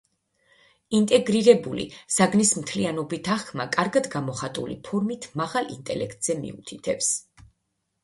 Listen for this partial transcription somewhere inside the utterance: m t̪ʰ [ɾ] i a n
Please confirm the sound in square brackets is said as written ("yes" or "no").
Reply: no